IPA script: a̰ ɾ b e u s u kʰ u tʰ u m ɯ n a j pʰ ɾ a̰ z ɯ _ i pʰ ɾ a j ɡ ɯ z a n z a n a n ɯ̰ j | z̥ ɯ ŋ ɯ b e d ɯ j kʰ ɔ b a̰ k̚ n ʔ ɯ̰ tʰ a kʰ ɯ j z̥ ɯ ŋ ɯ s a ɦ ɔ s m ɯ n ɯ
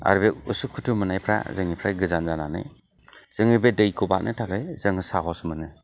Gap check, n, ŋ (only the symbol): ŋ